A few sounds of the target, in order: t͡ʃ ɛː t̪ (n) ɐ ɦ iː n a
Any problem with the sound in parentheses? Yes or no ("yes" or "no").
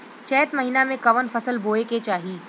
yes